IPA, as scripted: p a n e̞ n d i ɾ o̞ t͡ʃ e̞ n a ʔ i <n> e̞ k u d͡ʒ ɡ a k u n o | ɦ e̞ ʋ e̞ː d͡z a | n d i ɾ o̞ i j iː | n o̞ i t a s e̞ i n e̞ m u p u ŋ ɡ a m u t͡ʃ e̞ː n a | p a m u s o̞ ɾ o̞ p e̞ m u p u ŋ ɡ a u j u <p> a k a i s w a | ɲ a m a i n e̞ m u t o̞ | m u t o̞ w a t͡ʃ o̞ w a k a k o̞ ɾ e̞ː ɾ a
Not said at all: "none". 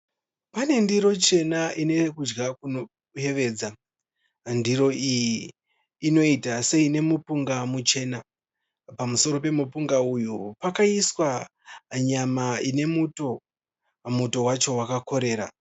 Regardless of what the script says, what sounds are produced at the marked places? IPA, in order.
n, p

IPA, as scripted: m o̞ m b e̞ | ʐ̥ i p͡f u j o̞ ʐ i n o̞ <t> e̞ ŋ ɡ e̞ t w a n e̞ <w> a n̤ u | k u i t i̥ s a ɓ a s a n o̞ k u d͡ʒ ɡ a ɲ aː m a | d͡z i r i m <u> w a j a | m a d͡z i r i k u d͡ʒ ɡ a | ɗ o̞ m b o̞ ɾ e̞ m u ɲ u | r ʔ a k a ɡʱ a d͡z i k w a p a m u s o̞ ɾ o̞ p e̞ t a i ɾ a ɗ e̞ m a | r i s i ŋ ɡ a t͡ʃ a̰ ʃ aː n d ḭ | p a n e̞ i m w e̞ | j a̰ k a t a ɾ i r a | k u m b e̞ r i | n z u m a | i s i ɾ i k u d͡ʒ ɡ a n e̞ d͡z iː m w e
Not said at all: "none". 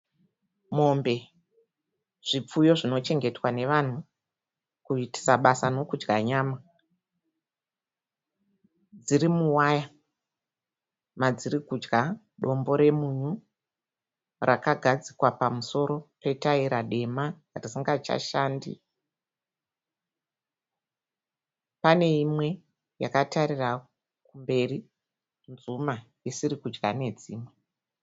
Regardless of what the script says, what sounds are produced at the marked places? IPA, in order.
t͡ʃ, ʋ, u

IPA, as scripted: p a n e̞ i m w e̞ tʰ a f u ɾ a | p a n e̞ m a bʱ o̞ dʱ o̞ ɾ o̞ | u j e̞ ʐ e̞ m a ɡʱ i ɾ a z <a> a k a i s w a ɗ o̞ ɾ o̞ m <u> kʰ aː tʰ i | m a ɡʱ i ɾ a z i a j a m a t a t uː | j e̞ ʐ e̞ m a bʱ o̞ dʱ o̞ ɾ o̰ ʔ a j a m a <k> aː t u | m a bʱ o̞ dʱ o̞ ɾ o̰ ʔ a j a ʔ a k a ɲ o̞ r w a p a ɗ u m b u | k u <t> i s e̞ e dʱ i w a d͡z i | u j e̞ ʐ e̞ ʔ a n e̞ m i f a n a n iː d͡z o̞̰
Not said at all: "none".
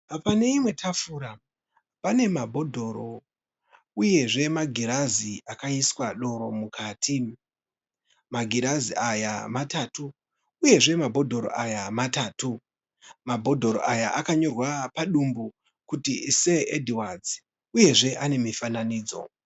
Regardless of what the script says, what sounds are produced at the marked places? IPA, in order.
i, u, t, t

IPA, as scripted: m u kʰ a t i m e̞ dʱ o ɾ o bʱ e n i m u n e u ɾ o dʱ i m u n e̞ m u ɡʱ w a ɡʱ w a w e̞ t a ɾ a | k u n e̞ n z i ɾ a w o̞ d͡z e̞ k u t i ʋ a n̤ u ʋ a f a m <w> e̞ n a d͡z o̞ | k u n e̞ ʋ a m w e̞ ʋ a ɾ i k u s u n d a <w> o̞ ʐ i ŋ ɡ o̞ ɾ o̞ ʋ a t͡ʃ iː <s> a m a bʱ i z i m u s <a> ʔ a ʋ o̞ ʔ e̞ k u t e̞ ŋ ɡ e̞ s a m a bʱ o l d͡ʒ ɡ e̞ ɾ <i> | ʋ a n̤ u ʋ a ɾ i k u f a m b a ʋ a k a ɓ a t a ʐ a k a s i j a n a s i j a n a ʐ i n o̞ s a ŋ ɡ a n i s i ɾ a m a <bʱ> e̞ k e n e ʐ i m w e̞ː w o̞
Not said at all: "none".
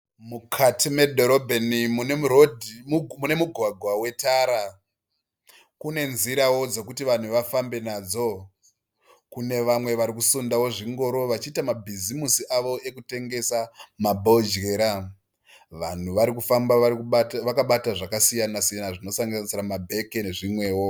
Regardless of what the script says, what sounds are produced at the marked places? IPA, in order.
b, w, t, i, a, bʱ

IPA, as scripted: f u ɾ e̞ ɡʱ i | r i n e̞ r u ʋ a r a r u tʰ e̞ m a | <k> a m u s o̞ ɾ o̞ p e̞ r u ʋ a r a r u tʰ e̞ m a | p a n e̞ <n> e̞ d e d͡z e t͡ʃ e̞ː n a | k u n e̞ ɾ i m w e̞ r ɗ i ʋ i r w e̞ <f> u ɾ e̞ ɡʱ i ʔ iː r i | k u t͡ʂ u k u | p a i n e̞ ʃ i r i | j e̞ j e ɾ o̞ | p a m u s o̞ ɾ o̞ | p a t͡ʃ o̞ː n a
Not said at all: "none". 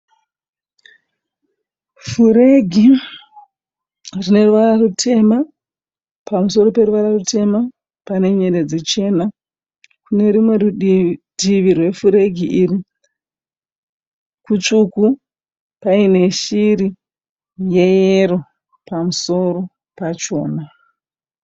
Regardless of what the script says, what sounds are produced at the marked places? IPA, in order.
p, ɲ, f

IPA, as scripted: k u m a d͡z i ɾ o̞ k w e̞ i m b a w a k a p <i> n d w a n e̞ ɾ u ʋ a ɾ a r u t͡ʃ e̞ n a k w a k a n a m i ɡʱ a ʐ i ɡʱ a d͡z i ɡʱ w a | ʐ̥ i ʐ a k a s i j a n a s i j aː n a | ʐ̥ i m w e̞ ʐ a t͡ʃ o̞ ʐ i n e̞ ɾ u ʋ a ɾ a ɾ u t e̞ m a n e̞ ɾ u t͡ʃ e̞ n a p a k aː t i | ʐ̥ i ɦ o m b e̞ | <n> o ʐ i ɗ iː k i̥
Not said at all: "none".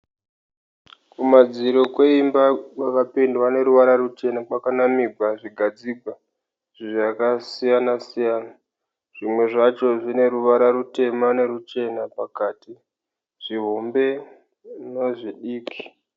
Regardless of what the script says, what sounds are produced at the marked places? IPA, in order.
i, n

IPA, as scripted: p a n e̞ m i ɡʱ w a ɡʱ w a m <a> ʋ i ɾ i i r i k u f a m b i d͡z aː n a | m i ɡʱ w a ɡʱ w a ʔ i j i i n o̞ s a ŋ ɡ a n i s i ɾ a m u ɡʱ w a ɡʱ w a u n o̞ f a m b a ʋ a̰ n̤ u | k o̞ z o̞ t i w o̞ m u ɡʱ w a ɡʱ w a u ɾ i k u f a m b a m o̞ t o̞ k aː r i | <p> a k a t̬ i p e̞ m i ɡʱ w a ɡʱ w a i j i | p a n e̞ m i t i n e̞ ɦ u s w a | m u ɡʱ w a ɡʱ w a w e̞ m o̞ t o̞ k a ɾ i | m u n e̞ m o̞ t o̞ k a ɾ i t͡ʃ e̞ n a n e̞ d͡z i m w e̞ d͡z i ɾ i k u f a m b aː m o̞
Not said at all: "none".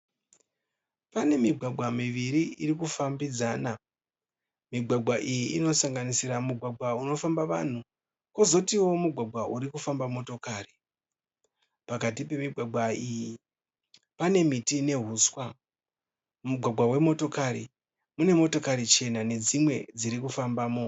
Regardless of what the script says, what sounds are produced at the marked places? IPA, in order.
i, p

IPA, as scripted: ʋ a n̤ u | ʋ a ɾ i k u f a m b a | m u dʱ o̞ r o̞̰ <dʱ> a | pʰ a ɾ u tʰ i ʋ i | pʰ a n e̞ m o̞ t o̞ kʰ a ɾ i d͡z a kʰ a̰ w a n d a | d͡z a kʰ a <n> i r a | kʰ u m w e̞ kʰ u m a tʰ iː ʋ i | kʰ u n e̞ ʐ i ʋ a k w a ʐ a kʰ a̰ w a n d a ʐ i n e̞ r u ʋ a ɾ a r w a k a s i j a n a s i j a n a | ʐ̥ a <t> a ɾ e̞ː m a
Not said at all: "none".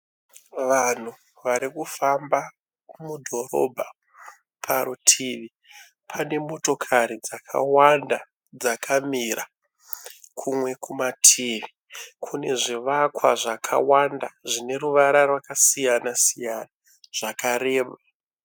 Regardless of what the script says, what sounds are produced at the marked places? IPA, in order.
bʱ, m, k

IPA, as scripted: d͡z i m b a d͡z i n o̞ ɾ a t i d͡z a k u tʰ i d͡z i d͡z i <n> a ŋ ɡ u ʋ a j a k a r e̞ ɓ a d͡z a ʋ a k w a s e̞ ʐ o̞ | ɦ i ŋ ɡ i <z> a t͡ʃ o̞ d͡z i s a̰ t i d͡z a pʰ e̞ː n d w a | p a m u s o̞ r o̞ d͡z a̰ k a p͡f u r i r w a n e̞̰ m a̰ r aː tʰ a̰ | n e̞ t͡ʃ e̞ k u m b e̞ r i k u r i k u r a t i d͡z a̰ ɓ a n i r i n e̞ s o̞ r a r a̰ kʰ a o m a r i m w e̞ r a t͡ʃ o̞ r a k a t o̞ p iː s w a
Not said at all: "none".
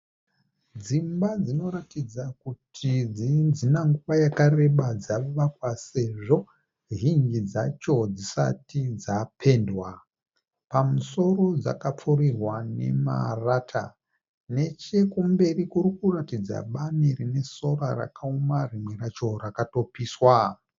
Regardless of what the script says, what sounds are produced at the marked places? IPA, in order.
n, d͡z

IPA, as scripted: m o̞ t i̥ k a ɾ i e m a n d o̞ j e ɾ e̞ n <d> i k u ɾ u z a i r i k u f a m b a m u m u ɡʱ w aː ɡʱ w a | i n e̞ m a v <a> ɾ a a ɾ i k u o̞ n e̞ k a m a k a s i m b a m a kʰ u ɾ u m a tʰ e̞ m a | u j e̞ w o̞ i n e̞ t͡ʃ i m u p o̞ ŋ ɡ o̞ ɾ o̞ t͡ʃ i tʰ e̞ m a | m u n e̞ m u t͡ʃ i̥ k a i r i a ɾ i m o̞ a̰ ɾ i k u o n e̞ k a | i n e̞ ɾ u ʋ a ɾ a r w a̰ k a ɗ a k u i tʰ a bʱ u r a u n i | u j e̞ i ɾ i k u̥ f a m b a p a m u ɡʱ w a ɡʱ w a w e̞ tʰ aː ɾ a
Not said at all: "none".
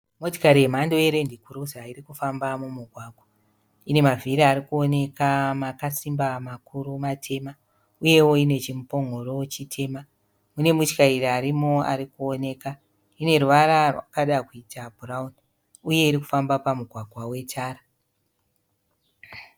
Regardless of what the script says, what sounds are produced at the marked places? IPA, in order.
d, i

